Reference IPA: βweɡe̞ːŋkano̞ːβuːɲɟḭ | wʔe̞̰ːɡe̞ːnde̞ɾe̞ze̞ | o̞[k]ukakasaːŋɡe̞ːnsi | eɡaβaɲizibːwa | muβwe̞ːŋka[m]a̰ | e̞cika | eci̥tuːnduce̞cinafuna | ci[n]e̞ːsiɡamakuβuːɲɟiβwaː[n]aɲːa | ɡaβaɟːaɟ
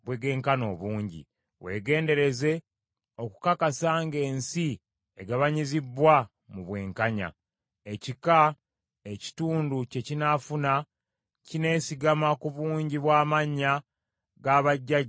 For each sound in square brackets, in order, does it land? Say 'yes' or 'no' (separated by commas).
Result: yes, no, yes, no